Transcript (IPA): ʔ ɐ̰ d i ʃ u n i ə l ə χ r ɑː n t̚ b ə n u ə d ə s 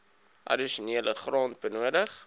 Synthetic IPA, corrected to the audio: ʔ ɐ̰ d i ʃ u n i ə l ə χ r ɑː n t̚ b ə n u ə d ə χ